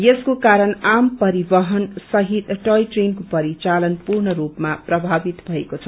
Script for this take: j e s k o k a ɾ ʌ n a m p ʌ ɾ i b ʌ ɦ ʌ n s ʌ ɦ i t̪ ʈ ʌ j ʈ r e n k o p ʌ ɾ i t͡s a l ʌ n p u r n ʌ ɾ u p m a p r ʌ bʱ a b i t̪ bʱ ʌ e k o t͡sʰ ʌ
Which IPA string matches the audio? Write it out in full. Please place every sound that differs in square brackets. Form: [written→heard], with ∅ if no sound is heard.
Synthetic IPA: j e s k o k a ɾ ʌ n a m p ʌ ɾ i b ʌ ɦ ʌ n s ʌ ɦ i t̪ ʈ ʌ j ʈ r e n k o p ʌ ɾ i t͡s a l ʌ n p u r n ʌ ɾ u p m a p r ʌ bʱ a b i t̪ bʱ ʌ e k o t͡sʰ ʌ